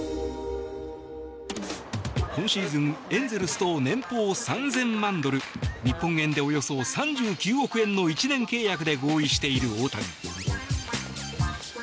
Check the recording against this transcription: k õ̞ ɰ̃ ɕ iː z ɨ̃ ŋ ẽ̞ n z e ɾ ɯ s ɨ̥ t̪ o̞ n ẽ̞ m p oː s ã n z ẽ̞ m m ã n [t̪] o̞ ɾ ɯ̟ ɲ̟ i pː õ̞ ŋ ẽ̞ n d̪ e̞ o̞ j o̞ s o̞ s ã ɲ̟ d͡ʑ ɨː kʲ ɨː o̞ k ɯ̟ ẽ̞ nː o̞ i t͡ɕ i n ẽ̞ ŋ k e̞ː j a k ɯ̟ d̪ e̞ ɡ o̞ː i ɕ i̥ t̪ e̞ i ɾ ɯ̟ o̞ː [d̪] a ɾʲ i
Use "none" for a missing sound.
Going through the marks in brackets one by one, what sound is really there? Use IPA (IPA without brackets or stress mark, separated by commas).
d̪, t̪